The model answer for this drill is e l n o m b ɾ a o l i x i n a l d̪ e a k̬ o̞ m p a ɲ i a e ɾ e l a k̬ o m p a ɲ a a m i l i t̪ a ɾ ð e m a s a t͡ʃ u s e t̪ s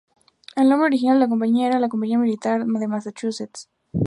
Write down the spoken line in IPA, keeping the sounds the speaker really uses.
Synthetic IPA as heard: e l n o m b ɾ e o ɾ i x i n a l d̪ e a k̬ o̞ m p a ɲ i a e ɾ a l a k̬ o m p a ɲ i a m i l i t̪ a ɾ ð e m a s a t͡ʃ u s e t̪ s

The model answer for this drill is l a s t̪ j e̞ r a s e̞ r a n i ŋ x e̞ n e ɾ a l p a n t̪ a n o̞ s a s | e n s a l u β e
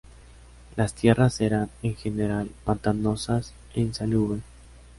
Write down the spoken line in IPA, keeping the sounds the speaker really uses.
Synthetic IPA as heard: l a s t̪ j e̞ r a s e̞ ɾ a n e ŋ x e̞ n e ɾ a l p a n t̪ a n o̞ s a s | e n s a l u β e

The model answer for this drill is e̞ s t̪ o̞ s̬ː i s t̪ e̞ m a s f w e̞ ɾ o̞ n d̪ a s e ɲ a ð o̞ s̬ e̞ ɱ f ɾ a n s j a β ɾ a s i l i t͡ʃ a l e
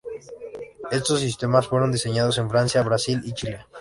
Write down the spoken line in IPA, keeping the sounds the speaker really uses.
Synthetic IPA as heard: e̞ s t̪ o̞ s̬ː i s t̪ e̞ m a s f w e̞ ɾ o̞ n d̪ i s e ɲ a ð o̞ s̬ e̞ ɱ f ɾ a n s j a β ɾ a s i l i t͡ʃ i l e

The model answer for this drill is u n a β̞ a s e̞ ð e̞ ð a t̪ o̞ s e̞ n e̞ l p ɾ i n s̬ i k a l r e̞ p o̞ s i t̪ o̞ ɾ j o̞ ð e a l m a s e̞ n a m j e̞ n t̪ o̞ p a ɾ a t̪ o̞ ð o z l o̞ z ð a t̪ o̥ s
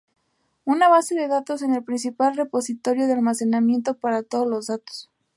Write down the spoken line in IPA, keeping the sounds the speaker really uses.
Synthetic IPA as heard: u n a β̞ a s e̞ ð e̞ ð a t̪ o̞ s e̞ n e̞ l p ɾ i n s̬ i p a l r e̞ p o̞ s i t̪ o̞ ɾ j o̞ ð e a l m a s e̞ n a m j e̞ n t̪ o̞ p a ɾ a t̪ o̞ ð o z l o̞ z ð a t̪ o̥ s

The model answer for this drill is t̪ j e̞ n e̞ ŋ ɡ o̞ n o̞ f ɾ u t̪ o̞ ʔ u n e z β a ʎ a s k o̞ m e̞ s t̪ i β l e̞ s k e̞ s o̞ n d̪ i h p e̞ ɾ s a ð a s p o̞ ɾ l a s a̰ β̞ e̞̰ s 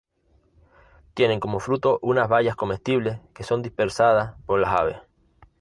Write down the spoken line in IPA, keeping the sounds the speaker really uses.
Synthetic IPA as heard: t̪ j e̞ n e̞ ŋ k o̞ m o̞ f ɾ u t̪ o̞ ʔ u n a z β a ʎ a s k o̞ m e̞ s t̪ i β l e̞ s k e̞ s o̞ n d̪ i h p e̞ ɾ s a ð a s p o̞ ɾ l a s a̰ β̞ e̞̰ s

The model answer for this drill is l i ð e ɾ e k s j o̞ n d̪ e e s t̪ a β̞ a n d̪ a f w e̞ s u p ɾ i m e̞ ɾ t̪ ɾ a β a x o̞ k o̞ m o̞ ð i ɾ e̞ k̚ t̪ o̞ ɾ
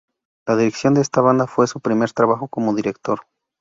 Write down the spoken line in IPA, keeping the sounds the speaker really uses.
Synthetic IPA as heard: l a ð i ɾ e k s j o̞ n d̪ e e s t̪ a β̞ a n d̪ a f w e̞ s u p ɾ i m e̞ ɾ t̪ ɾ a β a x o̞ k o̞ m o̞ ð i ɾ e̞ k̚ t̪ o̞ ɾ

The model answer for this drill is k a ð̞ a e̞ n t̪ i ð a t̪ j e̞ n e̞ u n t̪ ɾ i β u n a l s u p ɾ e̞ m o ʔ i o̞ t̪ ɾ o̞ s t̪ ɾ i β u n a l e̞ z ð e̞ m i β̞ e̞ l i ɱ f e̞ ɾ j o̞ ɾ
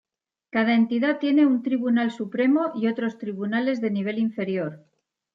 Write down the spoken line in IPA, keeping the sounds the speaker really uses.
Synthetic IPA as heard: k a ð̞ a e̞ n t̪ i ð a t̪ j e̞ n e̞ u n t̪ ɾ i β u n a l s u p ɾ e̞ m o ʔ i o̞ t̪ ɾ o̞ s t̪ ɾ i β u n a l e̞ z ð e̞ n i β̞ e̞ l i ɱ f e̞ ɾ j o̞ ɾ

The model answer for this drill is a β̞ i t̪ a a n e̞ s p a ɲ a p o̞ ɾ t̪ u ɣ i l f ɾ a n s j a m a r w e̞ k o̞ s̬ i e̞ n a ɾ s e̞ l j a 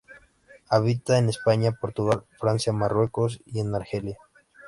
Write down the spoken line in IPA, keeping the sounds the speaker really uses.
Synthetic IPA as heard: a β̞ i t̪ a e n e̞ s p a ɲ a p o̞ ɾ t̪ u ɣ a l f ɾ a n s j a m a r w e̞ k o̞ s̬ i e̞ n a ɾ x e̞ l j a

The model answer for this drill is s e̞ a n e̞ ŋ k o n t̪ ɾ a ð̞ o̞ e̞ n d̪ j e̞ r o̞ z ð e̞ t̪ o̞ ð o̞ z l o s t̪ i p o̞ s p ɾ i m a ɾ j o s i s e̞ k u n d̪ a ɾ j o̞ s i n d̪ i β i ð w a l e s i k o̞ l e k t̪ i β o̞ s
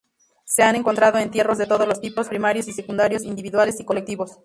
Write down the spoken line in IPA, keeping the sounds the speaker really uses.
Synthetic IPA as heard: s e̞ a n e̞ ŋ k o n t̪ ɾ a ð̞ o̞ e̞ n t̪ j e̞ r o̞ z ð e̞ t̪ o̞ ð o̞ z l o s t̪ i p o̞ s p ɾ i m a ɾ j o s i s e̞ k u n d̪ a ɾ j o̞ s i n d̪ i β i ð w a l e s i k o̞ l e k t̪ i β o̞ s

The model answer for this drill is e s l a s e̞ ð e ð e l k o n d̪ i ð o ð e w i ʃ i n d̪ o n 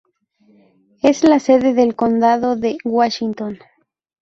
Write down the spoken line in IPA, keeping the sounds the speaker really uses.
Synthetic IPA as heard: e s l a s e̞ ð e ð e l k o n d̪ a ð o ð e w a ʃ i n t̪ o n

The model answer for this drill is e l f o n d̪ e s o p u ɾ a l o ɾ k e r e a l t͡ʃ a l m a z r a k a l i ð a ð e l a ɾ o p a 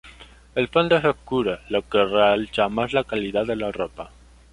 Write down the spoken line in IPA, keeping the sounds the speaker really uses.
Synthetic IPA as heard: e l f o n d̪ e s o k u ɾ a l o k e r e a l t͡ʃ a m a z l a k a l i ð a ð e l a r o p a

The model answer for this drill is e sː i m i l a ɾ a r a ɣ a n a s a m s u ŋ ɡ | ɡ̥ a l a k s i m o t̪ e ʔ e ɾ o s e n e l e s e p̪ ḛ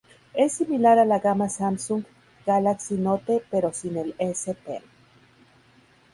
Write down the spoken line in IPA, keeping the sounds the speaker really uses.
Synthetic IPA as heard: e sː i m i l a ɾ a l a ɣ a m a s a m s u ŋ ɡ | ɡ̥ a l a k s i n o t̪ e p e ɾ o s i n e l e s e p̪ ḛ

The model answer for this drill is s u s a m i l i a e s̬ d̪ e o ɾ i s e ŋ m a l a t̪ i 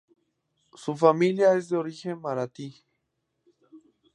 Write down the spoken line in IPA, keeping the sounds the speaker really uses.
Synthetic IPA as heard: s u f a m i l j a e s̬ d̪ e o ɾ i x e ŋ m a ɾ a t̪ i

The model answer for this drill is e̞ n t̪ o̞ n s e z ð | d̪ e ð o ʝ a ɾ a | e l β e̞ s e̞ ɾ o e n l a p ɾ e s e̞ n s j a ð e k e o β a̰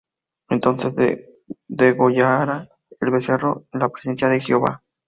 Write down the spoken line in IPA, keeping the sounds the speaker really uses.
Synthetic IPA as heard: e̞ n t̪ o̞ n s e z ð | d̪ e ɣ o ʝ a ɾ a | e l β e̞ s e̞ r o e n l a p ɾ e s e̞ n s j a ð e x e o β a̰

